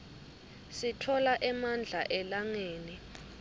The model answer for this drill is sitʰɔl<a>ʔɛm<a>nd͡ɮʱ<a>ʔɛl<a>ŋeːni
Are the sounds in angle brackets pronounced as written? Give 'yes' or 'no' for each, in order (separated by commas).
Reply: yes, yes, yes, yes